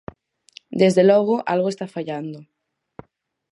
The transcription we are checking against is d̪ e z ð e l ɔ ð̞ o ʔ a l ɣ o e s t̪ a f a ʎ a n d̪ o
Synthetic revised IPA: d̪ e z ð e l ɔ ɣ̞ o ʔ a l ɣ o e s t̪ a f a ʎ a n d̪ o